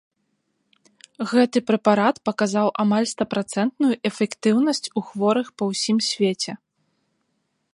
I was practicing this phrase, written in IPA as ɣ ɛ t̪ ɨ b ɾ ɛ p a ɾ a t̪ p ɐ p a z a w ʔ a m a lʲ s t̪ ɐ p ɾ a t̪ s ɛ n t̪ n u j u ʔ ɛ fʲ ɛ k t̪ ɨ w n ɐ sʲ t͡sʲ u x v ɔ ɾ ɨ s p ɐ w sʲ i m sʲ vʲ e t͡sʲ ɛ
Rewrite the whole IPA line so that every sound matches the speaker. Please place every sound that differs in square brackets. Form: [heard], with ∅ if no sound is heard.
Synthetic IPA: ɣ ɛ t̪ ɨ [p] ɾ ɛ p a ɾ a t̪ p ɐ [k] a z a w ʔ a m a lʲ s t̪ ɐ p ɾ a t̪ s ɛ n t̪ n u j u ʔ ɛ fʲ ɛ k t̪ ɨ w n ɐ sʲ t͡sʲ u x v ɔ ɾ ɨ [x] p ɐ w sʲ i m sʲ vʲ e t͡sʲ ɛ

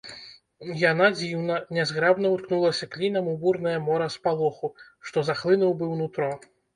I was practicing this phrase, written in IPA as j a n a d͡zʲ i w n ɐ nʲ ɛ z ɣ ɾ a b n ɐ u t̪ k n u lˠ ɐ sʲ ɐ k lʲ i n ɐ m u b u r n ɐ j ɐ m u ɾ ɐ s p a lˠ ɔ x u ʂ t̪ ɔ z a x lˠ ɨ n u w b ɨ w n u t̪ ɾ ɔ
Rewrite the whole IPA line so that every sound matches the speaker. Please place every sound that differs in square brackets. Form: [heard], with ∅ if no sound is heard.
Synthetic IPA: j a n a d͡zʲ i w n ɐ nʲ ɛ z ɣ ɾ a b n ɐ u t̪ k n u lˠ ɐ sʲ ɐ k lʲ i n ɐ m u b u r n ɐ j ɐ m [ɔ] ɾ ɐ s p a lˠ ɔ x u ʂ t̪ ɔ z a x lˠ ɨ n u w b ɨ w n u t̪ ɾ ɔ

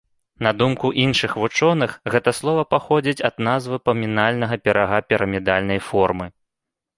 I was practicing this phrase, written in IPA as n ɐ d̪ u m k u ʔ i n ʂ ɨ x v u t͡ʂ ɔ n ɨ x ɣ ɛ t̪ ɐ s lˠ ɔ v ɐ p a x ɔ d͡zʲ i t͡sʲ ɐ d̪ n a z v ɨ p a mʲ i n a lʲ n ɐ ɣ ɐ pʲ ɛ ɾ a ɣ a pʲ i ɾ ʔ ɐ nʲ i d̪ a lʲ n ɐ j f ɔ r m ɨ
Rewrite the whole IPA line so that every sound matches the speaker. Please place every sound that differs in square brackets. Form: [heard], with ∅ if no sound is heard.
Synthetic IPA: n ɐ d̪ u m k u ʔ i n ʂ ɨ x v u t͡ʂ ɔ n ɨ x ɣ ɛ t̪ ɐ s lˠ ɔ v ɐ p a x ɔ d͡zʲ i t͡sʲ ɐ d̪ n a z v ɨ p [ɐ] mʲ i n a lʲ n ɐ ɣ ɐ pʲ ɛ ɾ a ɣ a pʲ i ɾ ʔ ɐ [mʲ] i d̪ a lʲ n ɐ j f ɔ r m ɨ

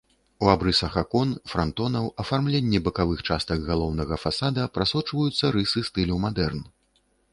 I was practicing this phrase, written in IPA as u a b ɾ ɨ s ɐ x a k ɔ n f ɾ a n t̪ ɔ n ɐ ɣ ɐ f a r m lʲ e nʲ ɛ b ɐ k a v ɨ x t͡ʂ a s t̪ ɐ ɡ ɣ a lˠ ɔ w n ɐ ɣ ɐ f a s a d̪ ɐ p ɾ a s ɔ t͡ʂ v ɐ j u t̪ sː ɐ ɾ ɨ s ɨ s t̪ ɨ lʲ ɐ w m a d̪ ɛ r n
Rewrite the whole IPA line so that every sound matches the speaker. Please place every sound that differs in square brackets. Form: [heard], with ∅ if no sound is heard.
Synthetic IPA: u a b ɾ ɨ s ɐ x a k ɔ n f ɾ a n t̪ ɔ n ɐ [w] ɐ f a r m lʲ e [nʲː] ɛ b ɐ k a v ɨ x t͡ʂ a s t̪ ɐ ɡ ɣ a lˠ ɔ w n ɐ ɣ ɐ f a s a d̪ ɐ p ɾ a s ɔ t͡ʂ v ɐ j u t̪ sː ɐ ɾ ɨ s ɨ s t̪ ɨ lʲ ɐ w m a d̪ ɛ r n

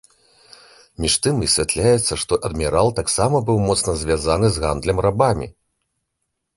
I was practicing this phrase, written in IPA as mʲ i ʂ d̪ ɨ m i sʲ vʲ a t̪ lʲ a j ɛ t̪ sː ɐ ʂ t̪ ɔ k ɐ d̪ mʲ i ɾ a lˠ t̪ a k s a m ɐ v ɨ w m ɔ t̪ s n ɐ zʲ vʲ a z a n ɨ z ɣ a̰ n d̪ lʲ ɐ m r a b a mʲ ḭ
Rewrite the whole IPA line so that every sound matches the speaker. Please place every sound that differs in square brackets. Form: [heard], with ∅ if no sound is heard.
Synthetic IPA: mʲ i ʂ [t̪] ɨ m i sʲ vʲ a t̪ lʲ a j ɛ t̪ sː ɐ ʂ t̪ ɔ [ʔ] ɐ d̪ mʲ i ɾ a lˠ t̪ a k s a m ɐ [b] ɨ w m ɔ t̪ s n ɐ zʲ vʲ a z a n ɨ z ɣ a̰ n d̪ lʲ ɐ m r a b a mʲ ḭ

